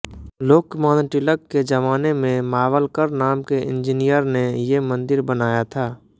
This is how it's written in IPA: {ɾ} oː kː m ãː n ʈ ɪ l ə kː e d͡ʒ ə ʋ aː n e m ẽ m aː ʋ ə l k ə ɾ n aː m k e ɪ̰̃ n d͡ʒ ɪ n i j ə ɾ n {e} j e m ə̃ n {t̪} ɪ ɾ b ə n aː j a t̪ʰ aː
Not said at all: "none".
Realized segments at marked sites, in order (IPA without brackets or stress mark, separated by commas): l, e, d̪